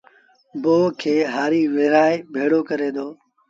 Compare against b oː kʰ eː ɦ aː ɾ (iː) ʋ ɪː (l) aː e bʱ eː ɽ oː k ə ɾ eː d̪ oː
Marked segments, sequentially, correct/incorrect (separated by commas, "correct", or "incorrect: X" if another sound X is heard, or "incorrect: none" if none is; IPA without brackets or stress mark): correct, incorrect: ɾ